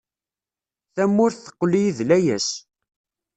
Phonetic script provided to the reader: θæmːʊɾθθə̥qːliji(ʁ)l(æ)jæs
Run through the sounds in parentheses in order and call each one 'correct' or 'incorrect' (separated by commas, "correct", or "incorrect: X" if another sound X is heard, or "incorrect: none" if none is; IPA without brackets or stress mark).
incorrect: ð, correct